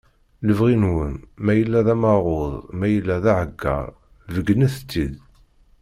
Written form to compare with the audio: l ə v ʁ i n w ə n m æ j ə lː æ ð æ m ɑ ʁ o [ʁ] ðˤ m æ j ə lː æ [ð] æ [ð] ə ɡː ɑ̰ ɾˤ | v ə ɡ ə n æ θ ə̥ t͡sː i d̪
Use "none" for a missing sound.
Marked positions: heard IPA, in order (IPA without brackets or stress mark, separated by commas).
none, ð, ʕ